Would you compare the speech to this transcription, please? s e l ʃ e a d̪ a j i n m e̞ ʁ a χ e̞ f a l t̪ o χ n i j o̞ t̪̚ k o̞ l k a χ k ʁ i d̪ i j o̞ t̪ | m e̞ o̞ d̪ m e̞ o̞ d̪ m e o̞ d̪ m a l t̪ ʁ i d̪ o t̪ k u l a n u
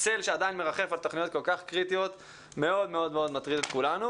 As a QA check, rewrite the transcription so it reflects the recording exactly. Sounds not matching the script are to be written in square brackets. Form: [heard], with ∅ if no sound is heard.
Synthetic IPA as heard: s e l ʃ e a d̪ a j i n m e̞ ʁ a χ e̞ f a l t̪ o χ n i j o̞ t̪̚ k o̞ l k a χ k ʁ i [t̪] i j o̞ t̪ | m e̞ o̞ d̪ m e̞ o̞ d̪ m e o̞ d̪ m a [∅] t̪ ʁ i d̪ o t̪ k u l a n u